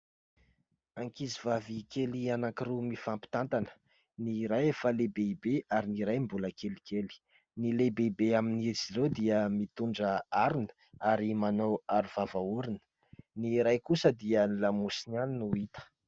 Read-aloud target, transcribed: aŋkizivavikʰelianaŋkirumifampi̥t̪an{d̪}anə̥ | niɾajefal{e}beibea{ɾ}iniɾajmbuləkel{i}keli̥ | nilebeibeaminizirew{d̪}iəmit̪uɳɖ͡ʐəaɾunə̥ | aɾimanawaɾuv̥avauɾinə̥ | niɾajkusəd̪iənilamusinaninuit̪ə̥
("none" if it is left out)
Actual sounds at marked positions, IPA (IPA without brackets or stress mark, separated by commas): t̪, e, ɾ, i, d̪